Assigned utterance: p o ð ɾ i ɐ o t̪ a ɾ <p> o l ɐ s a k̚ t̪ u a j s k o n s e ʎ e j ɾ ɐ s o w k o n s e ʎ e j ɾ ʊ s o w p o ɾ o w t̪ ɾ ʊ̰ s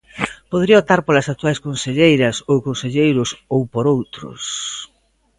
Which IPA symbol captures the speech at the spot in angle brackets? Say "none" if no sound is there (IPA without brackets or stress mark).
p